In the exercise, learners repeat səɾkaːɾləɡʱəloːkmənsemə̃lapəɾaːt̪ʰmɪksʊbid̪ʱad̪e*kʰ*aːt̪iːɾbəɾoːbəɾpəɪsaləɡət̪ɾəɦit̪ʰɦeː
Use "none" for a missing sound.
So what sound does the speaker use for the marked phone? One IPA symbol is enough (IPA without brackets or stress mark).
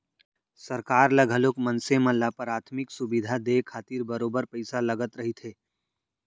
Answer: kʰ